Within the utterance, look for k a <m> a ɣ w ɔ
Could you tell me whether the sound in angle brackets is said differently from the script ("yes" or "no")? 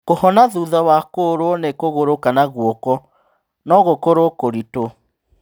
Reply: yes